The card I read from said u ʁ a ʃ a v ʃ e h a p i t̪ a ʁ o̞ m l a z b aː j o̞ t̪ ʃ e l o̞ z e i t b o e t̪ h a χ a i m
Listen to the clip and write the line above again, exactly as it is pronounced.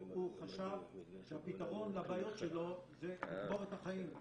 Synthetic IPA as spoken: u χ a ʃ a v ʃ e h a p i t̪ a ʁ o̞ n l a b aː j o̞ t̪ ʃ e l o̞ z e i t b o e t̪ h a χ a i m